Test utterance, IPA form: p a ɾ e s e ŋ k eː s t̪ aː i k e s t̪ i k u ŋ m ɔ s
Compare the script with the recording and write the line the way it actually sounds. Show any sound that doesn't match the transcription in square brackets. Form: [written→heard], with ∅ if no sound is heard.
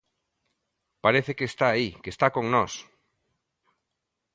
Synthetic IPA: p a ɾ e [s→θ] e [ŋ→∅] k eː s t̪ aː i k e s t̪ [i→a] k [u→o] ŋ [m→n] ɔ s